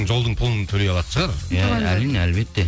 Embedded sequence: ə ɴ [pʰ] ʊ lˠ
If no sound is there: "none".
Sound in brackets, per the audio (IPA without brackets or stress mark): pʰ